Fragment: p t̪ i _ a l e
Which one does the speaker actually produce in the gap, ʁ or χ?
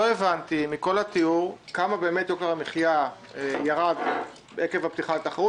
χ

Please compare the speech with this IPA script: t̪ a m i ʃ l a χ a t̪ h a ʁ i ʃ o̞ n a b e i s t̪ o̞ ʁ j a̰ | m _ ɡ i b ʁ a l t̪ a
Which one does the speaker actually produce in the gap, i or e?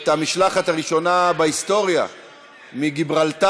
i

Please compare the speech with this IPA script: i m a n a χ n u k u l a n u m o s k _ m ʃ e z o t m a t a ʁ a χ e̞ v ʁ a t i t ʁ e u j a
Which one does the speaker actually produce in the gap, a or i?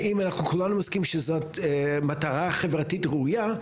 i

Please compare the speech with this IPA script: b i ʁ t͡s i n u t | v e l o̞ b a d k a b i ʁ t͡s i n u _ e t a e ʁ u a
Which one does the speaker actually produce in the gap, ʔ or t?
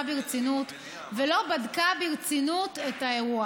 t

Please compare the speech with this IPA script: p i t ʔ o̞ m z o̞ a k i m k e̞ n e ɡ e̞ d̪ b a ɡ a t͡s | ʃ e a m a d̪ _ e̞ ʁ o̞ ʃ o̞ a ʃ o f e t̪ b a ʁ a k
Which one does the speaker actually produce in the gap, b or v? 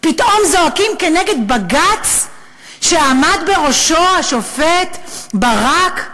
b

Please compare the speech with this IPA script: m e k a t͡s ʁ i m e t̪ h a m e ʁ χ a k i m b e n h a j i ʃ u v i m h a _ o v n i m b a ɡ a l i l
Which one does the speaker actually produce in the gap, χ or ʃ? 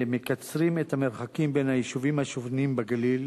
ʃ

